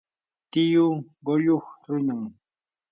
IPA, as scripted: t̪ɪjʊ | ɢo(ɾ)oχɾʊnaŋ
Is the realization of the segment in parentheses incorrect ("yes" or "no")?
yes